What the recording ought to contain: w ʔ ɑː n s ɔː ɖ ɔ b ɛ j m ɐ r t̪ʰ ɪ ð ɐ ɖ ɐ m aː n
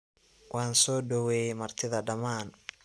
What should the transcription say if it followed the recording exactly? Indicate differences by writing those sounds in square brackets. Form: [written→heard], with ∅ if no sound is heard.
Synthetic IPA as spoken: w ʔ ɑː n s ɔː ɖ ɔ [b→w] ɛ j m ɐ r t̪ʰ ɪ ð ɐ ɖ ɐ m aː n